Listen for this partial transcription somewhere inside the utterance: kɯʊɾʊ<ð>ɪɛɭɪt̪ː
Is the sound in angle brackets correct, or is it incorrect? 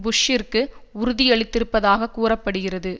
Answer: correct